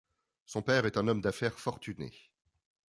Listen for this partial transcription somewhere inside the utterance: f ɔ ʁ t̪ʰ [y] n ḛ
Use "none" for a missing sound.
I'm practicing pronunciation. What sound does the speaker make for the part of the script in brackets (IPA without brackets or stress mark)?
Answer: y